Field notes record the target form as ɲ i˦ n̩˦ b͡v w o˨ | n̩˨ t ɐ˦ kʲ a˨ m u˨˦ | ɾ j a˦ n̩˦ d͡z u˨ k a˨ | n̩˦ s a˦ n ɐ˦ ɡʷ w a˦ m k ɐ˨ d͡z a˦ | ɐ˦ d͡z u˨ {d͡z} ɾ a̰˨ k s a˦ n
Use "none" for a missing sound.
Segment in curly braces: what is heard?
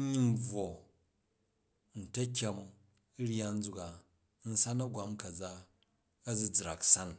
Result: d͡z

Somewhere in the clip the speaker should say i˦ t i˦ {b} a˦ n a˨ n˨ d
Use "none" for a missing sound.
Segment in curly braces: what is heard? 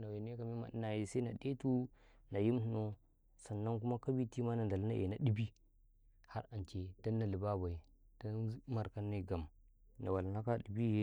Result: m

